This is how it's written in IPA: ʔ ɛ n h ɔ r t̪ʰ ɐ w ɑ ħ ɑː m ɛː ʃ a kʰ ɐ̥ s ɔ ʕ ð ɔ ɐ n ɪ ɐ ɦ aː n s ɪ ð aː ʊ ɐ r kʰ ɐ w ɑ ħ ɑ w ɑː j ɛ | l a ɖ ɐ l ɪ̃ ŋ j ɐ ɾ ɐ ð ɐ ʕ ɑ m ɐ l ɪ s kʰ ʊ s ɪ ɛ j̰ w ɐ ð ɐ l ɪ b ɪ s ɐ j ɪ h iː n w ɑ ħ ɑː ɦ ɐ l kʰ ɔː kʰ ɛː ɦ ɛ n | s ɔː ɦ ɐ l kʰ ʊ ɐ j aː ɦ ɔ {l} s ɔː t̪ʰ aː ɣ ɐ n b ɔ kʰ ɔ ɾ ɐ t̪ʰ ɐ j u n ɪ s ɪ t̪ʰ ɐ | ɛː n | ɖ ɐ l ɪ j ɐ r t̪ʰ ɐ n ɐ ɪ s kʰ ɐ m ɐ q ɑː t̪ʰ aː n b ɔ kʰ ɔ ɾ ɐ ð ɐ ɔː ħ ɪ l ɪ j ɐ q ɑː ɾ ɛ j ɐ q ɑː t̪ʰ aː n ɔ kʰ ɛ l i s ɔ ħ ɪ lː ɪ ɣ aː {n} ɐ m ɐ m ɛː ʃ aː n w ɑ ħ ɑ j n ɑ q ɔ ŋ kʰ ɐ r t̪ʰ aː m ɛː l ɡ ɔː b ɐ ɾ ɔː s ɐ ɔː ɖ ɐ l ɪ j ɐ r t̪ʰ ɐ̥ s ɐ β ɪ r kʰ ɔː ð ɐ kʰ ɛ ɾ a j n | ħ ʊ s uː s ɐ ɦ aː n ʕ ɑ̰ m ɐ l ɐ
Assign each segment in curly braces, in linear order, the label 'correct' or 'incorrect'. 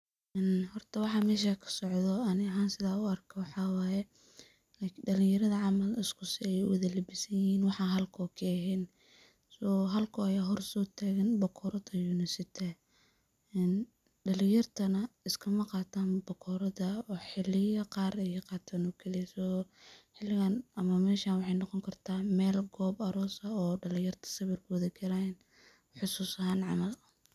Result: incorrect: r, correct

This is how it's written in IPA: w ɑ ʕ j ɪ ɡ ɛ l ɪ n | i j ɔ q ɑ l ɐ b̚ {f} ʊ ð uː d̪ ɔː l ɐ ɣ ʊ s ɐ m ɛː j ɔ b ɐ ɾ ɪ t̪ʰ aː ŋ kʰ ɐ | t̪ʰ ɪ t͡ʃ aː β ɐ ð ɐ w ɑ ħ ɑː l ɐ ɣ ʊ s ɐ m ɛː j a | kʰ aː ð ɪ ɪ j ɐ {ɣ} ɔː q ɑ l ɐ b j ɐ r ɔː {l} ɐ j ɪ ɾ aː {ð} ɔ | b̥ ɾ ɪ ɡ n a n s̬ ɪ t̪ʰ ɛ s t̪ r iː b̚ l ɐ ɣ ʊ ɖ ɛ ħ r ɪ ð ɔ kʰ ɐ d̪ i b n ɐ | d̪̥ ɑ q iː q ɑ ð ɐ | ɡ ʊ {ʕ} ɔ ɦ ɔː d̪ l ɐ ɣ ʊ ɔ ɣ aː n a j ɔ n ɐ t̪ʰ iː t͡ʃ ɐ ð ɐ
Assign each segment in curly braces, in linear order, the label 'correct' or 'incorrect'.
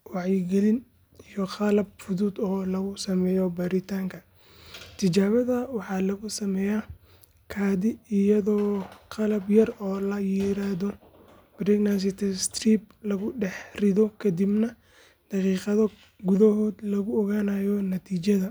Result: correct, incorrect: ð, correct, correct, incorrect: ð

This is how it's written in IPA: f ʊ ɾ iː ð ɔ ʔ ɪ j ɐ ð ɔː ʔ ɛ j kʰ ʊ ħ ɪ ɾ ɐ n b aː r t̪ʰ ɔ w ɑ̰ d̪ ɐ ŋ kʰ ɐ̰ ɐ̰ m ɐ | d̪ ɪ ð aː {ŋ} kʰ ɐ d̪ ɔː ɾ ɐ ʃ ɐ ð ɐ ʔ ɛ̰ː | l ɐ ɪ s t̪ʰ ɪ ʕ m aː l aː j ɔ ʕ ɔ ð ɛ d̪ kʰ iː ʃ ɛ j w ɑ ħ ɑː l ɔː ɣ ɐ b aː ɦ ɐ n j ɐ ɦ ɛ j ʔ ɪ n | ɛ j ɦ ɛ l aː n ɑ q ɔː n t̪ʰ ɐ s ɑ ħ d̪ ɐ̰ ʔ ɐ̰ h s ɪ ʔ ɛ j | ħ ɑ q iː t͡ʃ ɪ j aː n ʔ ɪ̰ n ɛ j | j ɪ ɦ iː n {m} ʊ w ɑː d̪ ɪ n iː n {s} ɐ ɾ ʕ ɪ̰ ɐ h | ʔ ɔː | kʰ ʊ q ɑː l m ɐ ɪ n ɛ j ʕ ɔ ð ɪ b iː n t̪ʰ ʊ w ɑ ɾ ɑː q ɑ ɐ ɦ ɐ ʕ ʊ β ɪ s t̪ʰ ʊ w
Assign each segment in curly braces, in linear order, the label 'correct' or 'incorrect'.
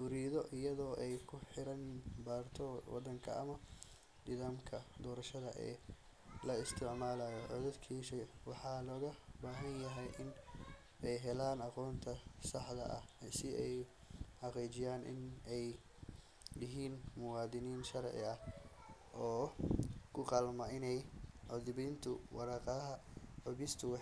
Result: incorrect: m, correct, incorrect: ʃ

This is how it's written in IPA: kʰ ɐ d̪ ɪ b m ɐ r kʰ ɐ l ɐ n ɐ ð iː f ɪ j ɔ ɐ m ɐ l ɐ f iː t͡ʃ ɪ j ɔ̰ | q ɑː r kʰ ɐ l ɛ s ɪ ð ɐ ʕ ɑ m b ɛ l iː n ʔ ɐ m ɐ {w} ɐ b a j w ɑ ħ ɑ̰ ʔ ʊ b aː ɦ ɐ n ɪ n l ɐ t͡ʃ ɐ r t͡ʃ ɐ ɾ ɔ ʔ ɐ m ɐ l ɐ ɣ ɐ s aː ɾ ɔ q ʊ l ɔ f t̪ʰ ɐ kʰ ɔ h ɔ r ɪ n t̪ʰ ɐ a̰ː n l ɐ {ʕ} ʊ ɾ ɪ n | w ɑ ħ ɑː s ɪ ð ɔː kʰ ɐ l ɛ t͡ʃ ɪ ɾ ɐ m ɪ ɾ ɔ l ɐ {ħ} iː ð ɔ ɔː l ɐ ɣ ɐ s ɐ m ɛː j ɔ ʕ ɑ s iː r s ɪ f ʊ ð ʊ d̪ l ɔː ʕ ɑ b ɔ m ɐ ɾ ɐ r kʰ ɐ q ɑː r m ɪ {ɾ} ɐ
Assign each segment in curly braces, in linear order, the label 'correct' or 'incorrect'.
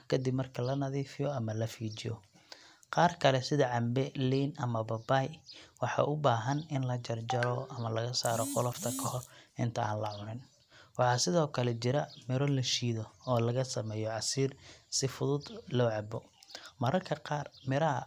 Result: incorrect: b, correct, incorrect: ʃ, correct

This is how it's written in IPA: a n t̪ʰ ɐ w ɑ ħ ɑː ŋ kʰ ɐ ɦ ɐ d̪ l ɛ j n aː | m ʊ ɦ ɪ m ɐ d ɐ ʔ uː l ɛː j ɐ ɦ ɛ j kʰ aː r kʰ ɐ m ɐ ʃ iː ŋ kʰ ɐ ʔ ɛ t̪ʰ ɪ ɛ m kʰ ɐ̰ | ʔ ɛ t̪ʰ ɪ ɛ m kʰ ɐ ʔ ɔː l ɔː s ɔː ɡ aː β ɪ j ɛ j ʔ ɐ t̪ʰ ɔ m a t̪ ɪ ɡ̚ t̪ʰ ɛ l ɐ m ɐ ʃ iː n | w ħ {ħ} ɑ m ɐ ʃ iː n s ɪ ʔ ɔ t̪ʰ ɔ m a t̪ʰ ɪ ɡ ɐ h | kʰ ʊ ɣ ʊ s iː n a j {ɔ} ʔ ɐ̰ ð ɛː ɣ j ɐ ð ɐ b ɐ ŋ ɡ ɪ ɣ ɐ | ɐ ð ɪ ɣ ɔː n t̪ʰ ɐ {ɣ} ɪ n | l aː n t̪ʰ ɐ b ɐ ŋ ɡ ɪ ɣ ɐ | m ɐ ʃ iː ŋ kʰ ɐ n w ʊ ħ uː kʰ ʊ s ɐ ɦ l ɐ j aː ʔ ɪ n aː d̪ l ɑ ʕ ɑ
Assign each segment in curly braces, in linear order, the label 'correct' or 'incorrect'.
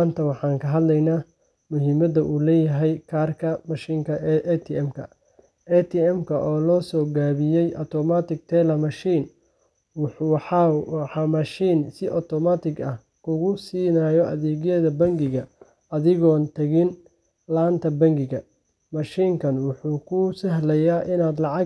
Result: correct, correct, correct

